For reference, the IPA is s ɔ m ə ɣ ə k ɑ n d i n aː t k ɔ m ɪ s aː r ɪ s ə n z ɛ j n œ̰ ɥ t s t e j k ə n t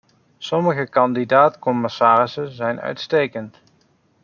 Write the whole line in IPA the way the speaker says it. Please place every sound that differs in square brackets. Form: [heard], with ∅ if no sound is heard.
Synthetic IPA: s ɔ m ə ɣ ə k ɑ n d i [d] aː t k ɔ m ɪ s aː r ɪ s ə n z ɛ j n œ̰ ɥ t s t e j k ə n t

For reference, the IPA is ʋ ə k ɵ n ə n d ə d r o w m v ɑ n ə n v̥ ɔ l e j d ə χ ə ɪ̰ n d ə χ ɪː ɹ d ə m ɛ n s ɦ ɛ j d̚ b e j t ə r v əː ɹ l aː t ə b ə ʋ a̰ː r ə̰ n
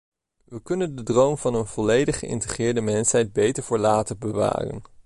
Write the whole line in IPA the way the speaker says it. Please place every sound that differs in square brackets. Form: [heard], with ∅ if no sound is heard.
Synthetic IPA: ʋ ə k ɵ n ə n d ə d r o w m v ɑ n ə n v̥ ɔ l e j d ə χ ə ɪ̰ n [t] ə χ ɪː ɹ d ə m ɛ n s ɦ ɛ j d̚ b e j t ə [ɹ] v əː ɹ l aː t ə b ə ʋ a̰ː r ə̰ n

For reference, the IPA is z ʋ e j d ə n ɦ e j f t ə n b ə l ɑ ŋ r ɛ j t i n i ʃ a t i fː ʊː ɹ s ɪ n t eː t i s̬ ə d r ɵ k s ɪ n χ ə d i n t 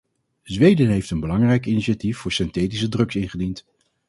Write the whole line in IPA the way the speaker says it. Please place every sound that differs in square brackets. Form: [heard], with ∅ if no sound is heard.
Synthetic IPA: z ʋ e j d ə n ɦ e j f t ə n b ə l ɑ ŋ r ɛ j [k] i n i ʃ a t i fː ʊː ɹ s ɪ n t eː t i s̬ ə d r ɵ k s ɪ n χ ə d i n t

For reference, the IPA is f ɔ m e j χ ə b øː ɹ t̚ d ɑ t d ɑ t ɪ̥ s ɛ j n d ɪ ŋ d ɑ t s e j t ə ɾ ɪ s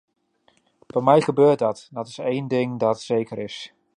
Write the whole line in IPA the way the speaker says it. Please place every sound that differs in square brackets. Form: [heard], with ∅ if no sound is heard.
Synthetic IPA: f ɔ m [ɛ] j χ ə b øː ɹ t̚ d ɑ t d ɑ t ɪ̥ s [e] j n d ɪ ŋ d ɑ t s e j [k] ə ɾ ɪ s

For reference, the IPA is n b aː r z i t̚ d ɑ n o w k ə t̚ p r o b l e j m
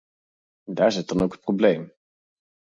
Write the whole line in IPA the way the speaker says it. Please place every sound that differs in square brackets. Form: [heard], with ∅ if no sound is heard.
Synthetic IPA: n [d] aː [ɹ] z [ɪ] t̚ d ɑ n o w k ə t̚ p r o b l e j m

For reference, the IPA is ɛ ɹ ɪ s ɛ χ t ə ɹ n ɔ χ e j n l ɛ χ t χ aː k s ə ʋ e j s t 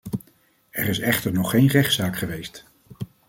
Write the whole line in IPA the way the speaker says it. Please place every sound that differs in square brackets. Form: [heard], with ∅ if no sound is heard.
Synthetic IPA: ɛ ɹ ɪ s ɛ χ t ə ɹ n ɔ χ e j n [r] ɛ χ t [s] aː k [χ] ə ʋ e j s t

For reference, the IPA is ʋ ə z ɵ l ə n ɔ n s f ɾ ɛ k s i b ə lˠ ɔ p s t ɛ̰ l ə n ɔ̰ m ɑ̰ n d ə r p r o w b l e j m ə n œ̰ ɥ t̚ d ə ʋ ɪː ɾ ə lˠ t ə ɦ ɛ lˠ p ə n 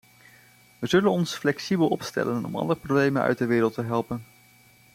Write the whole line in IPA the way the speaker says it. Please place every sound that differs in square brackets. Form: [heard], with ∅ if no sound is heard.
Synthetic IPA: ʋ ə z ɵ l ə n ɔ n s f [l] ɛ k s i b ə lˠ ɔ p s t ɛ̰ l ə n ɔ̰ m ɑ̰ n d ə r p r o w b l e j m ə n œ̰ ɥ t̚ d ə ʋ ɪː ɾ ə lˠ t ə ɦ ɛ lˠ p ə n

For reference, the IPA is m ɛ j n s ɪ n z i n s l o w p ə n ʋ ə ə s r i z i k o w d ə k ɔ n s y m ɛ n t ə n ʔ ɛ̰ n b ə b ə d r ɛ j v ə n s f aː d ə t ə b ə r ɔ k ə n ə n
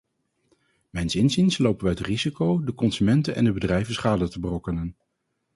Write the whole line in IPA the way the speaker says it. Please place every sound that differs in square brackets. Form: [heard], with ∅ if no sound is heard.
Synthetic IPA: m ɛ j n s ɪ n z i n s l o w p ə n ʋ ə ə [t] r i z i k o w d ə k ɔ n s y m ɛ n t ə n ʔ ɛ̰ n [d] ə b ə d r ɛ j v ə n s [χ] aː d ə t ə b ə r ɔ k ə n ə n

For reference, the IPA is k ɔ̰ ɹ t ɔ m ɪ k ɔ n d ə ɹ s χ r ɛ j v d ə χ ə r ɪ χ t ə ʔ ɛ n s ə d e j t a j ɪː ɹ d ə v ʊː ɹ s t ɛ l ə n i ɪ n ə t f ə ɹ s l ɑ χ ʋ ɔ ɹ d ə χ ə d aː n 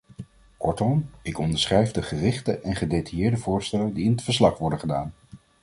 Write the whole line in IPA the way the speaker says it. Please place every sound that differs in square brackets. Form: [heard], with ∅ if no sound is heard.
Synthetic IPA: k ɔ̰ ɹ t ɔ m ɪ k ɔ n d ə ɹ s χ r ɛ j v d ə χ ə r ɪ χ t ə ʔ ɛ n [χ] ə d e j t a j ɪː ɹ d ə v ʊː ɹ s t ɛ l ə [d] i ɪ n ə t f ə ɹ s l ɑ χ ʋ ɔ ɹ d ə χ ə d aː n

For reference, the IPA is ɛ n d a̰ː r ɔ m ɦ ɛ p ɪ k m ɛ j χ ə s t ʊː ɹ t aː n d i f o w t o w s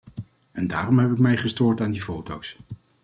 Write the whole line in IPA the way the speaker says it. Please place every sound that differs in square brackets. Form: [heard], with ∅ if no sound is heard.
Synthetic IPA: ɛ n d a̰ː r ɔ m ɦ ɛ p ɪ k m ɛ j χ ə s t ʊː ɹ t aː n d i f o w t o w s

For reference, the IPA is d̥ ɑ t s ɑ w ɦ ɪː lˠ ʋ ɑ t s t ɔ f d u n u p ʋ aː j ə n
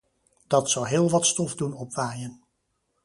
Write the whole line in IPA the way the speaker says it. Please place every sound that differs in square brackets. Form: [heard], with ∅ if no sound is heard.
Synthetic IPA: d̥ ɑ t s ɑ w ɦ ɪː lˠ ʋ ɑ t s t ɔ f d u n [ɔ] p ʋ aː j ə n

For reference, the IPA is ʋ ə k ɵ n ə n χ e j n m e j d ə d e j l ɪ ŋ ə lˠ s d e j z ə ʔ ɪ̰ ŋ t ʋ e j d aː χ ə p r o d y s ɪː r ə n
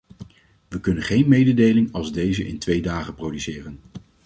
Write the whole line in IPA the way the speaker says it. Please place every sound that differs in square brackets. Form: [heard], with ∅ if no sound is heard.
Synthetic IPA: ʋ ə k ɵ n ə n χ e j n m e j d ə d e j l ɪ ŋ [ɑ] lˠ [z] d e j z ə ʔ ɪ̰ [n] t ʋ e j d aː χ ə p r o d y s ɪː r ə n

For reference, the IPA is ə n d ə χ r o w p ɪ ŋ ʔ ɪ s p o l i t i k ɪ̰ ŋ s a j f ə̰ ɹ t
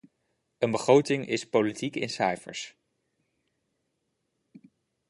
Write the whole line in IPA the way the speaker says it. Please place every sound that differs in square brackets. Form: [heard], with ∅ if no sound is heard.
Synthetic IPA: ə n [b] ə χ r o w [t] ɪ ŋ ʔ ɪ s p o l i t i k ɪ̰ [n] s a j f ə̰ ɹ [s]

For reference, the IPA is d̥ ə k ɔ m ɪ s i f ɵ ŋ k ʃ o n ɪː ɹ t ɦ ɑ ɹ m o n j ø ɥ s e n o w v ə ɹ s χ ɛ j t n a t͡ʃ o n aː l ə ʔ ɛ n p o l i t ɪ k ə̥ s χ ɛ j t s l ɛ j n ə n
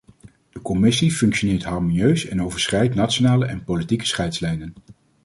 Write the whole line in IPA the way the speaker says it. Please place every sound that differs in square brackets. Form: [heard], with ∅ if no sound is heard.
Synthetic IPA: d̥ ə k ɔ m ɪ s i f ɵ ŋ k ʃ o n ɪː ɹ t ɦ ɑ ɹ m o n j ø ɥ s [ɛ] n o w v ə ɹ s χ ɛ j t n a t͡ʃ o n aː l ə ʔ ɛ n p o l i t [i] k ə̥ s χ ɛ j t s l ɛ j n ə n

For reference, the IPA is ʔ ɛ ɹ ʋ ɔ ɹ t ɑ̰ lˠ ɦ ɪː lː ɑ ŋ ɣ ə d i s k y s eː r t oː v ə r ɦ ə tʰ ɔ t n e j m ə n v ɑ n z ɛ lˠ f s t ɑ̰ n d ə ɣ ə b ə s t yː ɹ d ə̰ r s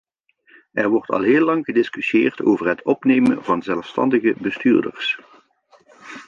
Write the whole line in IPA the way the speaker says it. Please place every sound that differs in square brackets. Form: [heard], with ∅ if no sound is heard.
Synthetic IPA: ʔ ɛ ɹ ʋ ɔ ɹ t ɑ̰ lˠ ɦ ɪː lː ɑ ŋ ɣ ə d [ɪ] s k y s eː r t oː v ə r ɦ ə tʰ ɔ [p] n e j m ə n v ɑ n z ɛ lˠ f s t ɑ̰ n d ə ɣ ə b ə s t yː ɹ d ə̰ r s

